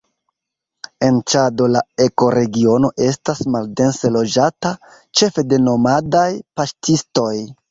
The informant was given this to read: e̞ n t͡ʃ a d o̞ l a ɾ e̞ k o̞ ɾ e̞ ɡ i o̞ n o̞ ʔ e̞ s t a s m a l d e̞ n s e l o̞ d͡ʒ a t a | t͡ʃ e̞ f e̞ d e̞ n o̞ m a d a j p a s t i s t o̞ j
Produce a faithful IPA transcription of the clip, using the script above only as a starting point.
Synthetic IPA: e̞ n t͡ʃ a d o̞ l a e̞ k o̞ ɾ e̞ ɡ i o̞ n o̞ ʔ e̞ s t a s m a l d e̞ n s e l o̞ d͡ʒ a t a | t͡ʃ e̞ f e̞ d e̞ n o̞ m a d a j p a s t i s t o̞ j